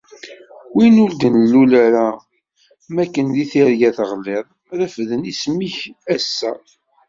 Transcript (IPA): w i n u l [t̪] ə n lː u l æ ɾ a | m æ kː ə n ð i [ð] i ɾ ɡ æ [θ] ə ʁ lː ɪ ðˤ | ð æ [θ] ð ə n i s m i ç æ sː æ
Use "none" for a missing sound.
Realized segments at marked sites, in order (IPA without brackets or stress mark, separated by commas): d̪, θ, θ, f